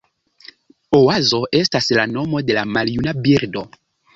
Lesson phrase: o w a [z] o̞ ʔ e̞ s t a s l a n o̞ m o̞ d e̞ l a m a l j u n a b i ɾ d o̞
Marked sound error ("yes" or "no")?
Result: no